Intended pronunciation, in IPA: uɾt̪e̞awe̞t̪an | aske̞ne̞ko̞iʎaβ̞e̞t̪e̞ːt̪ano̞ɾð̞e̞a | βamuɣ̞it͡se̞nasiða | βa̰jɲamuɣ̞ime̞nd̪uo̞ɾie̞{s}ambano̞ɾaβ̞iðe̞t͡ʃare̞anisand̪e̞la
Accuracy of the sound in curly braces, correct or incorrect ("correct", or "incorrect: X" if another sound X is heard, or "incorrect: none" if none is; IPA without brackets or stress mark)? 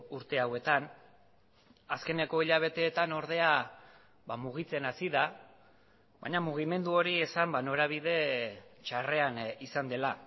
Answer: correct